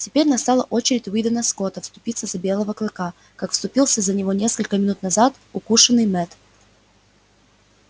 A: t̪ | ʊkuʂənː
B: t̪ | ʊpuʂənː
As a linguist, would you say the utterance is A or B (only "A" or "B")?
A